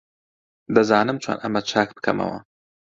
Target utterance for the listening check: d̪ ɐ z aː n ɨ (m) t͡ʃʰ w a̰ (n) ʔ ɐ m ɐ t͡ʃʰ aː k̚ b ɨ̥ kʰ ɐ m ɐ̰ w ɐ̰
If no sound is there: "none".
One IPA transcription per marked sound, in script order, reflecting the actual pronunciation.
m, n

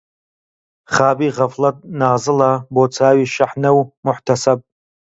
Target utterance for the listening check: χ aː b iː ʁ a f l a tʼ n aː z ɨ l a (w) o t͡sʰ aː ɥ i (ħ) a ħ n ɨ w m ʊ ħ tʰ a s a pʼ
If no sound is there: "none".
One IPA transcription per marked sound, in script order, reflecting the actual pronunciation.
b, ʃ

